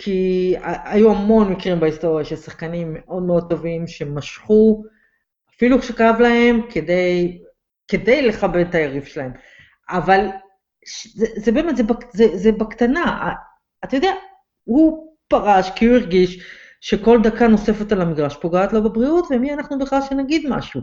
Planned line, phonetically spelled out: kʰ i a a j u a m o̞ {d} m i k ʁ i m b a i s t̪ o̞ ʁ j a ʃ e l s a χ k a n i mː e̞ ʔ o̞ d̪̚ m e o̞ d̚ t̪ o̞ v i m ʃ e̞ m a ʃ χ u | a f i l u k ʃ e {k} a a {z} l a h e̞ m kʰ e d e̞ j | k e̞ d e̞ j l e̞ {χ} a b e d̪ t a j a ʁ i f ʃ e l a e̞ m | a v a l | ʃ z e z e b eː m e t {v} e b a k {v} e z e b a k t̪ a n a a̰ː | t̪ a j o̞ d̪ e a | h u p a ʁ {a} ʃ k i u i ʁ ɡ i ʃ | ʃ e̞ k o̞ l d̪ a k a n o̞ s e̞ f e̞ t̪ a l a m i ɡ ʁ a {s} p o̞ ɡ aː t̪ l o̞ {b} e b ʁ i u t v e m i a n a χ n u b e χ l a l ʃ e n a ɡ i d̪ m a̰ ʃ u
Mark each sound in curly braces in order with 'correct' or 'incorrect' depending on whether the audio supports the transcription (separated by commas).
incorrect, correct, incorrect, correct, incorrect, incorrect, correct, incorrect, correct